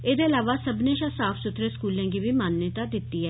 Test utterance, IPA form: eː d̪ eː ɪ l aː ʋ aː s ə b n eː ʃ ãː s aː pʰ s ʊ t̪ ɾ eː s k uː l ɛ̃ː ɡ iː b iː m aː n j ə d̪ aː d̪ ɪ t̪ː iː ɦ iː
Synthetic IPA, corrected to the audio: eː d̪ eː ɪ l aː ʋ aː s ə b n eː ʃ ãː s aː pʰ s ʊ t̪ ɾ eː s k uː l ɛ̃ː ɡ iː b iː m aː n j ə t̪ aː d̪ ɪ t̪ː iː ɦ ɛː